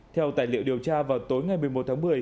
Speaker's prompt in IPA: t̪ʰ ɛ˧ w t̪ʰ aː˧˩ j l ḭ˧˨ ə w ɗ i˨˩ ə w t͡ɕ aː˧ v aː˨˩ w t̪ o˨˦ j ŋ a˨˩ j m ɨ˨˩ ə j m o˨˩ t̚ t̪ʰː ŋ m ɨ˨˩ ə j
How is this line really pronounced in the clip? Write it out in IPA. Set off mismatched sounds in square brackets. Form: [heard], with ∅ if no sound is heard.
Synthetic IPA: t̪ʰ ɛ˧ w [t̪] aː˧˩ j l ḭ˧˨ ə w ɗ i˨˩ ə w t͡ɕ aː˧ v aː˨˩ w t̪ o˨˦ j ŋ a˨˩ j m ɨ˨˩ ə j m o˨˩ t̚ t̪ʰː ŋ m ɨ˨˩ ə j